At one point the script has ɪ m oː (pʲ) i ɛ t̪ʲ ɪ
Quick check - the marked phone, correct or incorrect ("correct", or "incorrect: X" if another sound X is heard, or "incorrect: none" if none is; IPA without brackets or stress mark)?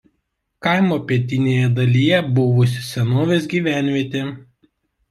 correct